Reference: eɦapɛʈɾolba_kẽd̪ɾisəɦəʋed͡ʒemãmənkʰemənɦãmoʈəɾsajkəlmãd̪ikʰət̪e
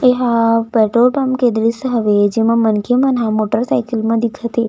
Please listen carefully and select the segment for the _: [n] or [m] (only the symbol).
m